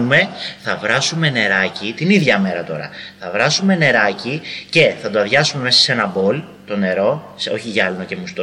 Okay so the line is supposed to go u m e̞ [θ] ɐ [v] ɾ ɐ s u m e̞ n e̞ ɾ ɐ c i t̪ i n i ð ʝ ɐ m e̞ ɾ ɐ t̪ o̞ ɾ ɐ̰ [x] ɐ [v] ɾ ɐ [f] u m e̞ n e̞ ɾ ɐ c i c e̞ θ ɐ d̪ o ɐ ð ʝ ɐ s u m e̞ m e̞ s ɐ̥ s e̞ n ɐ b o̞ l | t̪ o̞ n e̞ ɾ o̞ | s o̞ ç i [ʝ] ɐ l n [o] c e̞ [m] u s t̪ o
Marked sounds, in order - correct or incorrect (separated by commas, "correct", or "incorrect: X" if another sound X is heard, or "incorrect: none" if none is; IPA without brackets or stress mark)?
correct, correct, incorrect: θ, correct, incorrect: s, correct, correct, correct